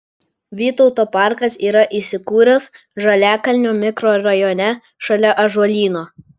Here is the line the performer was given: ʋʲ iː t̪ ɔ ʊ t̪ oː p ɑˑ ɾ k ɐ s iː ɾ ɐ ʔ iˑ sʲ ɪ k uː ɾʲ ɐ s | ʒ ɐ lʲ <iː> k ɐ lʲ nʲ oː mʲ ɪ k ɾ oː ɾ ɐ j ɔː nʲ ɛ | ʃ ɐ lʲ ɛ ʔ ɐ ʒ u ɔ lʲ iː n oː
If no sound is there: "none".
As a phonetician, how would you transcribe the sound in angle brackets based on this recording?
æː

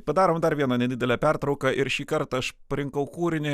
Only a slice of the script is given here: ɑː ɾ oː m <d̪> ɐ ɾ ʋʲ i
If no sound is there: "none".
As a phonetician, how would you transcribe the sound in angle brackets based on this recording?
d̪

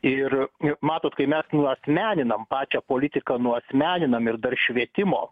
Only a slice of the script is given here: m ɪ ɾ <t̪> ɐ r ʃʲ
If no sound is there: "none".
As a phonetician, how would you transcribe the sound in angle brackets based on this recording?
d̪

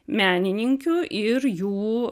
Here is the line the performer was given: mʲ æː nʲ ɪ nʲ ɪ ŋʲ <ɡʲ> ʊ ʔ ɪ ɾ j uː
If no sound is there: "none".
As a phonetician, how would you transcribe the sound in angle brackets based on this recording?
kʲ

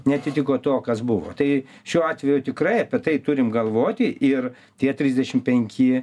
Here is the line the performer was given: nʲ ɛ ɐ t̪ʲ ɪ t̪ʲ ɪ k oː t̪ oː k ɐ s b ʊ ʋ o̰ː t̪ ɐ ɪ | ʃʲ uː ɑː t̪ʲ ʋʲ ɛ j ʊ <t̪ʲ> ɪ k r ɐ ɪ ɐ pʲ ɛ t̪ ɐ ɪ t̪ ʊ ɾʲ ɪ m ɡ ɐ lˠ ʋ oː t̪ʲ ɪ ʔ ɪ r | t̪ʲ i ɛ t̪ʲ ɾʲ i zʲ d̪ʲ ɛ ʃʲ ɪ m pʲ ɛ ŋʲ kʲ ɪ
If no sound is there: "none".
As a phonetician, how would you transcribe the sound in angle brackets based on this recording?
t̪ʲ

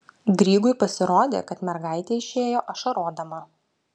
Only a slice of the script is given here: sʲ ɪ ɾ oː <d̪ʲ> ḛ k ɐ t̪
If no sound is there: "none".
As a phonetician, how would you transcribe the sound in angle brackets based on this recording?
d̪ʲ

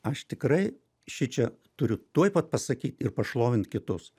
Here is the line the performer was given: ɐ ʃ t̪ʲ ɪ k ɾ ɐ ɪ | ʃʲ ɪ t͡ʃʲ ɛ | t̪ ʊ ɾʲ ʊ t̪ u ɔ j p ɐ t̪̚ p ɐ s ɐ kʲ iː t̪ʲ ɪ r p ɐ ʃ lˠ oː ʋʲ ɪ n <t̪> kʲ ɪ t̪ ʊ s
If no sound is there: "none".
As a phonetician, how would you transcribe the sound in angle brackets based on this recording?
t̪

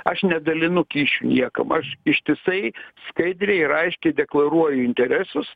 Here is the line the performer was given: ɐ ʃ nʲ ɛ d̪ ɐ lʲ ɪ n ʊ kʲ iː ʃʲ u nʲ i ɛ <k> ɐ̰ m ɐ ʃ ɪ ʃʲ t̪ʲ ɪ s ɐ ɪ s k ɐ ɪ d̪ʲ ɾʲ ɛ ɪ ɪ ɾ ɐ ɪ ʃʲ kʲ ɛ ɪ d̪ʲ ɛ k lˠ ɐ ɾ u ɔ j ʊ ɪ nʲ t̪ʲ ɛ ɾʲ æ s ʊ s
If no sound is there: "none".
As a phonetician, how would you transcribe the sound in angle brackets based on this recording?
k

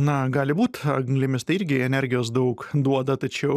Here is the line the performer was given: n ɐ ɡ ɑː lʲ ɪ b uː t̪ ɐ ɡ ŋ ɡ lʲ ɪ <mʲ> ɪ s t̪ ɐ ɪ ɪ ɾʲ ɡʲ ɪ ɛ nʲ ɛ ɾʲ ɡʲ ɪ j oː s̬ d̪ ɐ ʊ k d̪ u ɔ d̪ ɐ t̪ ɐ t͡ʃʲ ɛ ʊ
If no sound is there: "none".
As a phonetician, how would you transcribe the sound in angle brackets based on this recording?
mʲ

